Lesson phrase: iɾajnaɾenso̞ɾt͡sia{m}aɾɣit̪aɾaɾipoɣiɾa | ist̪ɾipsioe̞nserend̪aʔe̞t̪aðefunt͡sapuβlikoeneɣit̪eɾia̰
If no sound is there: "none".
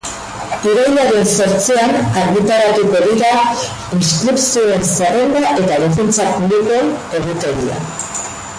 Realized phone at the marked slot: n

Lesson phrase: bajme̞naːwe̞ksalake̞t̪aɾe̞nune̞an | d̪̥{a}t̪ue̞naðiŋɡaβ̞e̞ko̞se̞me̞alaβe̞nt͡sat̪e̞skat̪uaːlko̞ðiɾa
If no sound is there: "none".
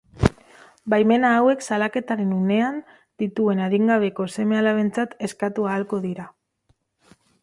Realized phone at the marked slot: i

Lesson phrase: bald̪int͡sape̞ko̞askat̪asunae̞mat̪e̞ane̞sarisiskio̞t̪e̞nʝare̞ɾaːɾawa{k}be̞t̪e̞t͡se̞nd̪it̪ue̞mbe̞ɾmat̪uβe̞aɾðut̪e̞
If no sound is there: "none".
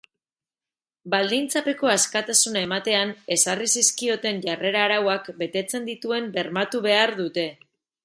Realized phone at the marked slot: k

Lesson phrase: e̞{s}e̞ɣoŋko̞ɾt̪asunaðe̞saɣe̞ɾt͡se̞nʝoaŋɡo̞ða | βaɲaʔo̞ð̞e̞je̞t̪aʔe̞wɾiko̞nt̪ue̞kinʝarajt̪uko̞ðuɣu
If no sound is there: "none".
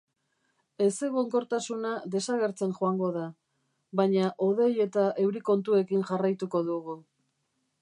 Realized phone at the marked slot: s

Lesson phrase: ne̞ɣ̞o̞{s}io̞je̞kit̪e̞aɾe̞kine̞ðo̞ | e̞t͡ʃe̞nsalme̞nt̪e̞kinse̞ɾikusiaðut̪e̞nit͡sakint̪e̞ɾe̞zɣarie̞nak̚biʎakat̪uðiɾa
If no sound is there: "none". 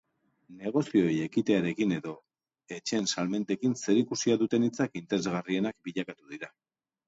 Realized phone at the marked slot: s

